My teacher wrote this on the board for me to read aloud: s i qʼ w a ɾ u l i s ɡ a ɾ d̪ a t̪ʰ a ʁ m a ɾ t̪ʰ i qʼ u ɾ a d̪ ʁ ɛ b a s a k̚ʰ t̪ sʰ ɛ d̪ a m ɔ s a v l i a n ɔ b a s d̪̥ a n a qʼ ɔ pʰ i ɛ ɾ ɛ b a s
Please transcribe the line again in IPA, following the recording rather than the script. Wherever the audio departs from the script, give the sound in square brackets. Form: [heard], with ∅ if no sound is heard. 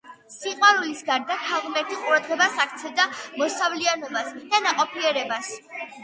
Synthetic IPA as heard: s i qʼ w a ɾ u l i s ɡ a ɾ d̪ a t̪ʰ a ʁ m [ɛ] ɾ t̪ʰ i qʼ u ɾ a d̪ ʁ ɛ b a s a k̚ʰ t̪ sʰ ɛ d̪ a m ɔ s a v l i a n ɔ b a s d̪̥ a n a qʼ ɔ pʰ i ɛ ɾ ɛ b a s